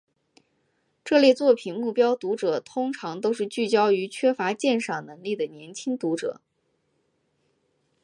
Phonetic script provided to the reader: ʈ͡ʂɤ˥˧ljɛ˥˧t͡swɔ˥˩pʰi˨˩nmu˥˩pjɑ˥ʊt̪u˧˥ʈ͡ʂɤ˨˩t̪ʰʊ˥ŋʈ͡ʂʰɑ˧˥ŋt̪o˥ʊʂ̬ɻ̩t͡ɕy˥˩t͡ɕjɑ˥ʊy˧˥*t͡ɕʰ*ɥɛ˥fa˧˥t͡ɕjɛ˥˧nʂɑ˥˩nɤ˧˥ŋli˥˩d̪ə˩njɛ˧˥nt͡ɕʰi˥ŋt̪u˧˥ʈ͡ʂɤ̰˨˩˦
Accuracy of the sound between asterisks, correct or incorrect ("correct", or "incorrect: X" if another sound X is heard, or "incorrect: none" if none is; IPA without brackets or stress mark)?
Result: correct